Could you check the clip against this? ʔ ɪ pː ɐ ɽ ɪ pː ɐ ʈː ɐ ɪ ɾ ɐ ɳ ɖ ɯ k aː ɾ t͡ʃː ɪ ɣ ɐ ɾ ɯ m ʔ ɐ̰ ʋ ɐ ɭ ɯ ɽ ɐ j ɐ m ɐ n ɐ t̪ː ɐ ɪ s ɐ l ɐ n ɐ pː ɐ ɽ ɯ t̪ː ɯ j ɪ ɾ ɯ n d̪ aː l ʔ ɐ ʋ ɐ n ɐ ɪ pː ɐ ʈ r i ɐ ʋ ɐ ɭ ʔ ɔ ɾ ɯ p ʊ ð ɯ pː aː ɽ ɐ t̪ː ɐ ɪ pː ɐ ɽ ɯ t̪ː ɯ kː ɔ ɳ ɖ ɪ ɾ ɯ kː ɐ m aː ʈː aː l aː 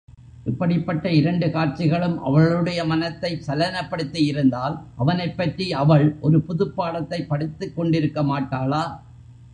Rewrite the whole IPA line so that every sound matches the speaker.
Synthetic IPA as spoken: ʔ ɪ pː ɐ ɽ ɪ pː ɐ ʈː ɐ ɪ ɾ ɐ ɳ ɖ ɯ k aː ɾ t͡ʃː ɪ ɣ ɐ ɭ ɯ m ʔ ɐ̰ ʋ ɐ ɭ ɯ ɽ ɐ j ɐ m ɐ n ɐ t̪ː ɐ ɪ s ɐ l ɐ n ɐ pː ɐ ɽ ɯ t̪ː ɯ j ɪ ɾ ɯ n d̪ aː l ʔ ɐ ʋ ɐ n ɐ ɪ pː ɐ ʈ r i ɐ ʋ ɐ ɭ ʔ ɔ ɾ ɯ p ʊ ð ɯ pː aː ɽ ɐ t̪ː ɐ ɪ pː ɐ ɽ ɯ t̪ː ɯ kː ɔ ɳ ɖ ɪ ɾ ɯ kː ɐ m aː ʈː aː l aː